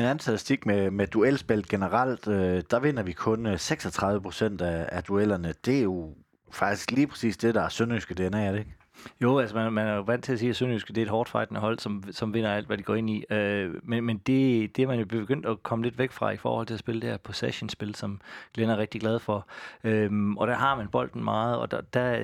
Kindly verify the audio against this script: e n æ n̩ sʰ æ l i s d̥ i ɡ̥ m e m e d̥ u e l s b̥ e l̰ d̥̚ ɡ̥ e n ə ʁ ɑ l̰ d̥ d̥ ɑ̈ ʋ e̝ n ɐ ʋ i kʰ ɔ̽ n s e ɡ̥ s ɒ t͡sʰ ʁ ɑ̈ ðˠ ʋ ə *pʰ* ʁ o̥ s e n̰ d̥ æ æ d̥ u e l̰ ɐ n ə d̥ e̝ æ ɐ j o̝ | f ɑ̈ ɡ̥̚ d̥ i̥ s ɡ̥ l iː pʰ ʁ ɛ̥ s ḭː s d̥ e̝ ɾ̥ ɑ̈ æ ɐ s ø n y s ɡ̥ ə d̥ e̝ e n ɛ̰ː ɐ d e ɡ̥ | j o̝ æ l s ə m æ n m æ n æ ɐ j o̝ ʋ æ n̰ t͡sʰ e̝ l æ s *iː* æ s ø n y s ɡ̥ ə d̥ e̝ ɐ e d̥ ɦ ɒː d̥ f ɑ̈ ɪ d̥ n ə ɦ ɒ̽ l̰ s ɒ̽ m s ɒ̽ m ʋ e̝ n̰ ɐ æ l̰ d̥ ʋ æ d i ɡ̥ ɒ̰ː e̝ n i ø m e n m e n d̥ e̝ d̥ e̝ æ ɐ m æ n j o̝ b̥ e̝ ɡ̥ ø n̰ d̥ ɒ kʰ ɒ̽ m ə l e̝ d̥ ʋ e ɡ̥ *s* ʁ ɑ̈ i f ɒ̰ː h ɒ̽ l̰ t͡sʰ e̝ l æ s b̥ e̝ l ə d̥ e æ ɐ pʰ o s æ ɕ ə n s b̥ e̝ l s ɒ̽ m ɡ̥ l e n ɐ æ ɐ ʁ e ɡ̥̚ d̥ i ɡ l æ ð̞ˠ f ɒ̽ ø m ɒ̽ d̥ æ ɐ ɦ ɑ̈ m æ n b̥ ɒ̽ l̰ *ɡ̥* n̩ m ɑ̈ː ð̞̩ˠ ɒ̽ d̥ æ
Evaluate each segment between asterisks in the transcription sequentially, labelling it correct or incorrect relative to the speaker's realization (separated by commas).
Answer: correct, correct, incorrect, incorrect